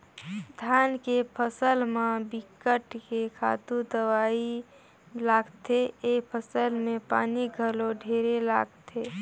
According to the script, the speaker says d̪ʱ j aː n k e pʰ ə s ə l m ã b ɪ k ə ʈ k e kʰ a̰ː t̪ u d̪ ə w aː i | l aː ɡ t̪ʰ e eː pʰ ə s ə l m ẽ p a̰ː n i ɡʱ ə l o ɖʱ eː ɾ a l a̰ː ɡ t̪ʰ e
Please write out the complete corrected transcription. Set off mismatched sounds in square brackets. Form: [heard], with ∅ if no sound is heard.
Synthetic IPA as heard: d̪ʱ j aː n k e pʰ ə s ə l m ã b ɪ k ə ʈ k e kʰ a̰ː t̪ u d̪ ə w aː i | l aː ɡ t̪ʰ e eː pʰ ə s ə l m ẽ p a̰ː n i ɡʱ ə l o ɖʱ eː ɾ [e] l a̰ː ɡ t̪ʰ e

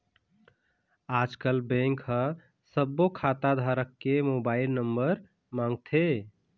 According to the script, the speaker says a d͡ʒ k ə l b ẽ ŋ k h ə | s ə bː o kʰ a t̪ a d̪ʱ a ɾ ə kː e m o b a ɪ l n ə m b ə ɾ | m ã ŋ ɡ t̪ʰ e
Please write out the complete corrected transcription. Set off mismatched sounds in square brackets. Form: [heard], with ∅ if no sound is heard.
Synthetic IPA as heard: a d͡ʒ k ə l b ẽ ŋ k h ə | s ə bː o kʰ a t̪ a d̪ʱ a ɾ ə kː e m o b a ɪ l n ə m b ə ɾ | m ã ŋ ɡ t̪ʰ e

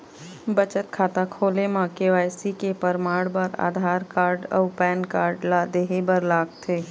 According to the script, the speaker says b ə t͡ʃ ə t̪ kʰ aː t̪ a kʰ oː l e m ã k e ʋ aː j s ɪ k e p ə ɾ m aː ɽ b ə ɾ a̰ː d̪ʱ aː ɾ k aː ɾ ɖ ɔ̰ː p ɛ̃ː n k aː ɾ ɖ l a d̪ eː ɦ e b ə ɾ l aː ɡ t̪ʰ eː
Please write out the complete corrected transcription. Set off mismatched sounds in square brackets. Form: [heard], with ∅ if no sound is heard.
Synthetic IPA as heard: b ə t͡ʃ ə t̪ kʰ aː t̪ a kʰ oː l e m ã k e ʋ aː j s [i] k e p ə ɾ m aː ɽ b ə ɾ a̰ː d̪ʱ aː ɾ k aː ɾ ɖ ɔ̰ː p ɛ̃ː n k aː ɾ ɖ l a d̪ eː ɦ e b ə ɾ l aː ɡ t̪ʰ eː

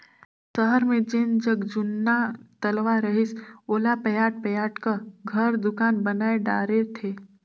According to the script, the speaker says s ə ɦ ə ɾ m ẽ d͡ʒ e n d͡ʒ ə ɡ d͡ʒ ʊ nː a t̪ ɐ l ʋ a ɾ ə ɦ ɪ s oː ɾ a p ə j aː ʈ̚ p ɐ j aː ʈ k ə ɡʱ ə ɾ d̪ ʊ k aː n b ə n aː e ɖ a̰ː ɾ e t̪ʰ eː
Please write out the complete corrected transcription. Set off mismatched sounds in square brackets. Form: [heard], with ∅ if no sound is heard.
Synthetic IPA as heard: s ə ɦ ə ɾ m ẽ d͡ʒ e n d͡ʒ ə ɡ d͡ʒ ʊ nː a t̪ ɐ l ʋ a ɾ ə ɦ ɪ s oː [l] a p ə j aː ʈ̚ p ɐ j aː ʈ k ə ɡʱ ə ɾ d̪ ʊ k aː n b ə n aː e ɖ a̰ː ɾ e t̪ʰ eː

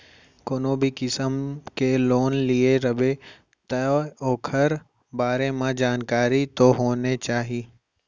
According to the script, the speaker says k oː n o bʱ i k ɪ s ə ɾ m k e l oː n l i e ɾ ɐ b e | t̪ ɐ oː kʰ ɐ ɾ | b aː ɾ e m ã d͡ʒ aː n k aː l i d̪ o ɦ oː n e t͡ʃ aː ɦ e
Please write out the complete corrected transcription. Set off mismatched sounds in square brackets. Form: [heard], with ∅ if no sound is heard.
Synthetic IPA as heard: k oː n o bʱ i k ɪ s ə [∅] m k e l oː n l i e ɾ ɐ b e | t̪ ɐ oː kʰ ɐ ɾ | b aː ɾ e m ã d͡ʒ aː n k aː [ɾ] i [t̪] o ɦ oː n e t͡ʃ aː ɦ [i]

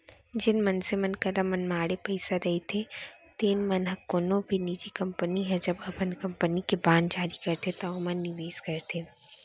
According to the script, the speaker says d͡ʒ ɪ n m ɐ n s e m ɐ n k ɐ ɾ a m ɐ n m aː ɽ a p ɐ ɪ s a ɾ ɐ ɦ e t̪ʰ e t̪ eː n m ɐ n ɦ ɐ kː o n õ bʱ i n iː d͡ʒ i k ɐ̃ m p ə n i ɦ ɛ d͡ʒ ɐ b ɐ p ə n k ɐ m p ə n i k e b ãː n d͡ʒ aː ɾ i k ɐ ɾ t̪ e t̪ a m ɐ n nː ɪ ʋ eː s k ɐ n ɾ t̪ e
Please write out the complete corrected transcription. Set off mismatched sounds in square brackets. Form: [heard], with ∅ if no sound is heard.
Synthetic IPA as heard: d͡ʒ ɪ n m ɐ n s e m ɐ n k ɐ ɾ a m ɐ n m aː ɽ [e] p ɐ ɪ s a ɾ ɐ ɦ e t̪ʰ e t̪ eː n m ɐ n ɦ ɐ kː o n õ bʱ i n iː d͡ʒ i k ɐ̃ m p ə n i ɦ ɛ d͡ʒ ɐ b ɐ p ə n k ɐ m p ə n i k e b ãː n d͡ʒ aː ɾ i k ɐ ɾ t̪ e t̪ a m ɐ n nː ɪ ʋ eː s k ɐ [∅] ɾ t̪ e

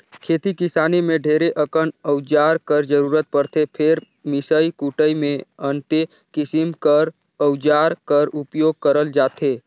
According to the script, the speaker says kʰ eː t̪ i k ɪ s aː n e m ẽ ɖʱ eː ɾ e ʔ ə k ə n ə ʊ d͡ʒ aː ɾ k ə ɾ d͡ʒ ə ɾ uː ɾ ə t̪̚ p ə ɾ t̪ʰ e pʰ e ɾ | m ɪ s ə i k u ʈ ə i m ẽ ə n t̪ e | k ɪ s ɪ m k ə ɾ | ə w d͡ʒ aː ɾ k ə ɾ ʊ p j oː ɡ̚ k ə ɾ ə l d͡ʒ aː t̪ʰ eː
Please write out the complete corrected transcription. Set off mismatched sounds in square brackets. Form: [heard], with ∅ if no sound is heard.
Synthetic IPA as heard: kʰ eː t̪ i k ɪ s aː n e m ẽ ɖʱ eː ɾ e ʔ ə k ə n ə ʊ d͡ʒ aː ɾ k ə ɾ d͡ʒ ə ɾ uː ɾ ə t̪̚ p ə ɾ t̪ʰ e pʰ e ɾ | m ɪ s ə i k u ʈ ə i m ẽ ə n t̪ e | k ɪ s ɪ m k ə ɾ | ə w d͡ʒ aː ɾ k ə ɾ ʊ p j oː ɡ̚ k ə ɾ ə l d͡ʒ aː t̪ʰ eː

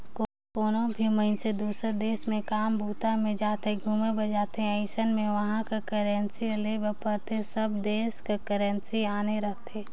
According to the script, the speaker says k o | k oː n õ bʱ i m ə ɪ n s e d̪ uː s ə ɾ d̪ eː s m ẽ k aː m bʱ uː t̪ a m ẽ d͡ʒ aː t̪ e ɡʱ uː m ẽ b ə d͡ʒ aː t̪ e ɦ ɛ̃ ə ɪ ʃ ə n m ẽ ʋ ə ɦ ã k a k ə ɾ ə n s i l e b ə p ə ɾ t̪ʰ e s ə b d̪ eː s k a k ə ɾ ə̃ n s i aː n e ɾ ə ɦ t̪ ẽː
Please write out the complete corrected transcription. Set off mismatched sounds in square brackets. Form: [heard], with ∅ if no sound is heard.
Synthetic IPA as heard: k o | k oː n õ bʱ i m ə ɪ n s e d̪ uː s ə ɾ d̪ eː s m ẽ k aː m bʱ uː t̪ a m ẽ d͡ʒ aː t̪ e ɡʱ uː m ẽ b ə d͡ʒ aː t̪ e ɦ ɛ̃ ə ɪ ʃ ə n m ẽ ʋ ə ɦ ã k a k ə ɾ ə n s i l e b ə p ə ɾ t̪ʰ e s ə b d̪ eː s k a k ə ɾ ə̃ n s i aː n e ɾ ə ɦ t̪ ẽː

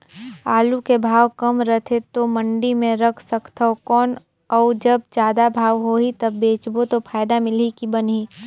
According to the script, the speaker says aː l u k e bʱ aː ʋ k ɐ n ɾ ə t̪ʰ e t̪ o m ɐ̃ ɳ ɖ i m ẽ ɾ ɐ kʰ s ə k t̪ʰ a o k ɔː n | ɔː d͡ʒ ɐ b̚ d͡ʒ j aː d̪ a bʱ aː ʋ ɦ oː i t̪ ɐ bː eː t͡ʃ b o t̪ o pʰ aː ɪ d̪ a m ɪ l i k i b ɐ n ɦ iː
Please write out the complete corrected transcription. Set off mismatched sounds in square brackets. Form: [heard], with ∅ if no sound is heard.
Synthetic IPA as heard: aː l u k e bʱ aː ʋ k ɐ [m] ɾ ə t̪ʰ e t̪ o m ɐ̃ ɳ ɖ i m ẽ ɾ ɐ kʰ s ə k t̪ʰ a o k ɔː n | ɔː d͡ʒ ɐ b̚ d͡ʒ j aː d̪ a bʱ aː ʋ ɦ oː i t̪ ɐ bː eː t͡ʃ b o t̪ o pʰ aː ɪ d̪ a m ɪ l i k i b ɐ n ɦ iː

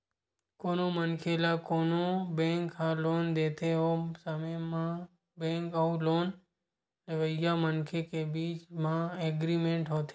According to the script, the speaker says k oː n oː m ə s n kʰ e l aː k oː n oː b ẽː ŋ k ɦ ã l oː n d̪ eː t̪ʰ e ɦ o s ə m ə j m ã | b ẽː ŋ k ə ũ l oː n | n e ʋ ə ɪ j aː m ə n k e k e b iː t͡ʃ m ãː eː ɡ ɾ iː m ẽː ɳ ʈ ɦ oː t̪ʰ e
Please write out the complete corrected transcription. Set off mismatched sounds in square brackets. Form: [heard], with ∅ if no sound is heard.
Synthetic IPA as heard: k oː n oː m ə [∅] n kʰ e l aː k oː n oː b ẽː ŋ k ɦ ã l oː n d̪ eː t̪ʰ e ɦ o s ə m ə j m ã | b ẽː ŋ k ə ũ l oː n | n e ʋ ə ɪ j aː m ə n [kʰ] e k e b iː t͡ʃ m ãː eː ɡ ɾ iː m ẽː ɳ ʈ ɦ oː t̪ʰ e

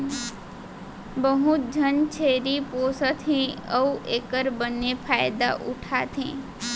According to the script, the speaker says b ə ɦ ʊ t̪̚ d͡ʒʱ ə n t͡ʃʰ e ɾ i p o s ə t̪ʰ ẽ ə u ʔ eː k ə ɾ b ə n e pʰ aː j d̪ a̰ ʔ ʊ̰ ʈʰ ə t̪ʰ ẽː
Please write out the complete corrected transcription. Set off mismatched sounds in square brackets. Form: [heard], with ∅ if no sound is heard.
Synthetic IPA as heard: b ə ɦ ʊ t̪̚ d͡ʒʱ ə n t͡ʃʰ e ɾ i p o s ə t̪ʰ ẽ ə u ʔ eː k ə ɾ b ə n e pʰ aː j d̪ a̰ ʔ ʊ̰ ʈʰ [a] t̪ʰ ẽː

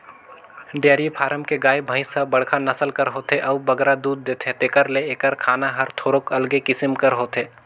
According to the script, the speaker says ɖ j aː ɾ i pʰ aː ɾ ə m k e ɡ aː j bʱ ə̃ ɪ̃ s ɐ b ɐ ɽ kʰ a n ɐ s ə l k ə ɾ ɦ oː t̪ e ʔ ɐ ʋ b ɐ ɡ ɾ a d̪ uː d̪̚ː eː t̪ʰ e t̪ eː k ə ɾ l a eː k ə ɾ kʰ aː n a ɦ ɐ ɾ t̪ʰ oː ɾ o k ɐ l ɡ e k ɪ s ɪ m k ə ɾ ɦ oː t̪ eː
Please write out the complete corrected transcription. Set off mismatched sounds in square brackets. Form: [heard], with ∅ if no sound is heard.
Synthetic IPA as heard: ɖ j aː ɾ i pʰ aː ɾ ə m k e ɡ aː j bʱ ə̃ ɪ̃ s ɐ b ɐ ɽ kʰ a n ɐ s ə l k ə ɾ ɦ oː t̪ e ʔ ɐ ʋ b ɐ ɡ ɾ a d̪ uː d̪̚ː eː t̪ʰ e t̪ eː k ə ɾ l [e] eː k ə ɾ kʰ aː n a ɦ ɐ ɾ t̪ʰ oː ɾ o k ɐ l ɡ e k ɪ s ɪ m k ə ɾ ɦ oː t̪ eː

